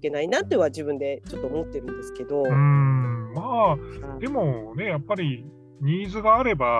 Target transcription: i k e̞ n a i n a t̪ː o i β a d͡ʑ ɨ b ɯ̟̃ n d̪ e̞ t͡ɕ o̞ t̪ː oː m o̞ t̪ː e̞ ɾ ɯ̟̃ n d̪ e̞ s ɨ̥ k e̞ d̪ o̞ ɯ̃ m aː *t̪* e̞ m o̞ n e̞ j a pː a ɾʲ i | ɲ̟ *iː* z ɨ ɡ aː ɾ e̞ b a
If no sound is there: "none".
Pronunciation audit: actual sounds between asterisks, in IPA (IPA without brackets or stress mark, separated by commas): d̪, iː